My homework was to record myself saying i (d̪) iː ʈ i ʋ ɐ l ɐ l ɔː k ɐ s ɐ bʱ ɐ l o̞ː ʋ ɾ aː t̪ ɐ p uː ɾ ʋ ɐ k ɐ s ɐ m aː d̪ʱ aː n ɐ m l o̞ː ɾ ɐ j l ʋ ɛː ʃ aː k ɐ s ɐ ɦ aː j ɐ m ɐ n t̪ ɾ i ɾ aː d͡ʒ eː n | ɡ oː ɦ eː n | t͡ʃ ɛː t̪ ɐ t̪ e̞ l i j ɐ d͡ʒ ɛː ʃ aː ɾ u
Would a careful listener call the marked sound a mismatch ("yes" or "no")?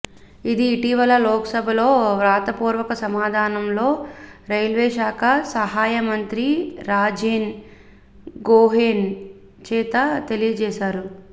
no